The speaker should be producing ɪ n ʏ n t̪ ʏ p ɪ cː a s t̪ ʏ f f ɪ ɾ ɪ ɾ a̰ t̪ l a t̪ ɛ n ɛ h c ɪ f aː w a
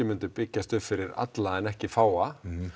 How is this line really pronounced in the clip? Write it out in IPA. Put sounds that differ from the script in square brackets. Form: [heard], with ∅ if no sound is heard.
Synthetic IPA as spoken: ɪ [m] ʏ n t̪ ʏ p ɪ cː a s t̪ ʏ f f ɪ ɾ ɪ ɾ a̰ t̪ l a [∅] ɛ n ɛ h c ɪ f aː w a